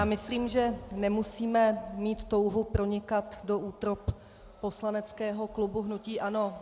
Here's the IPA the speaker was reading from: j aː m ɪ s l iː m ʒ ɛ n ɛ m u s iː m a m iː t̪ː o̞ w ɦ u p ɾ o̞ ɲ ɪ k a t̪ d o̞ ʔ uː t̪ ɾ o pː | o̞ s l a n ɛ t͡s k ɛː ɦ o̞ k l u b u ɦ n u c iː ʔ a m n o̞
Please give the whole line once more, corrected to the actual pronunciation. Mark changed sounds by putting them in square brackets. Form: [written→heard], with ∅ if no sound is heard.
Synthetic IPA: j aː m ɪ s l iː m ʒ ɛ n ɛ m u s iː m [a→ɛ] m iː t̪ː o̞ w ɦ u p ɾ o̞ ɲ ɪ k a t̪ d o̞ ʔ uː t̪ ɾ o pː | o̞ s l a n ɛ t͡s k ɛː ɦ o̞ k l u b u ɦ n u c iː ʔ a [m→∅] n o̞